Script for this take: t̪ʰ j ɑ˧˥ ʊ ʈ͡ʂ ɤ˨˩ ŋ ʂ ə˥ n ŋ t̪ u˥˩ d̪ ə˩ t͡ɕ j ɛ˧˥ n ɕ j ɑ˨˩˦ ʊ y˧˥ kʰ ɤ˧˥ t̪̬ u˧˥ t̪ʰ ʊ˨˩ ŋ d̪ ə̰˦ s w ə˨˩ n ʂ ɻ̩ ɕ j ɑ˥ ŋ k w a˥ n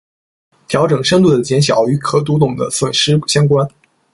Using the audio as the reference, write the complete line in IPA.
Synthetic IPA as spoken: t̪ʰ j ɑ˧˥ ʊ ʈ͡ʂ ɤ˨˩ ŋ ʂ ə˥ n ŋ t̪ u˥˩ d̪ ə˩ t͡ɕ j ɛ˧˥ n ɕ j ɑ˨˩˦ ʊ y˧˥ kʰ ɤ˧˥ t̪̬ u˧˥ t̪ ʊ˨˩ ŋ d̪ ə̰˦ s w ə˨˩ n ʂ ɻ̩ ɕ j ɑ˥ ŋ k w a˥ n

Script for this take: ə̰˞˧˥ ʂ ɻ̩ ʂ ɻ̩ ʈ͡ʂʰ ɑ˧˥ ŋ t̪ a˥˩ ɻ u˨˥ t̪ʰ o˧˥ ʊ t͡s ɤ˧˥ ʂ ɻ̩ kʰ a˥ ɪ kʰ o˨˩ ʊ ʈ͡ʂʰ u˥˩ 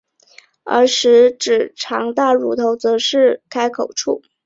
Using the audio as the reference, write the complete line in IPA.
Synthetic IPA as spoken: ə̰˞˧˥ ʂ ɻ̩ ʈ͡ʂ ɻ̩ ʈ͡ʂʰ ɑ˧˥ ŋ t̪ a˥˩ ɻ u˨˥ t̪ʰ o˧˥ ʊ t͡s ɤ˧˥ ʂ ɻ̩ kʰ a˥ ɪ kʰ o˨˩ ʊ ʈ͡ʂʰ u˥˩

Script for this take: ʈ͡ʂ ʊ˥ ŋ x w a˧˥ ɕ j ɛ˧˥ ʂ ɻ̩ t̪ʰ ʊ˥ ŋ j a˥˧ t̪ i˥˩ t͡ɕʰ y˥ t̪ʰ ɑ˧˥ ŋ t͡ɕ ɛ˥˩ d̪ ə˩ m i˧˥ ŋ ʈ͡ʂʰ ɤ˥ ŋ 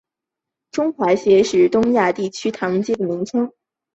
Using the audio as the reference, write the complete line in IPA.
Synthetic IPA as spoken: ʈ͡ʂ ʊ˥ ŋ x w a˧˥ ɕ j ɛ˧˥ ʂ ɻ̩ t̪ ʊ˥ ŋ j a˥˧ t̪ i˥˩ t͡ɕʰ y˥ t̪ʰ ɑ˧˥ ŋ t͡ɕ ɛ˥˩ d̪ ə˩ m i˧˥ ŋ ʈ͡ʂʰ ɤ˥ ŋ

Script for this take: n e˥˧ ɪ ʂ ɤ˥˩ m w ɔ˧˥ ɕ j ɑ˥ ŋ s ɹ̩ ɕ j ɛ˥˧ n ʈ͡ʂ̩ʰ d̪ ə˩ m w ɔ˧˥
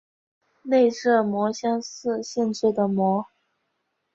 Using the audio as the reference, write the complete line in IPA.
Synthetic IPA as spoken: n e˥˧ ɪ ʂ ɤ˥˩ m w ɔ˧˥ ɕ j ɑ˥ ŋ s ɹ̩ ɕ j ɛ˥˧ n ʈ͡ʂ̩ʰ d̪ ə˩ m w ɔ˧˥

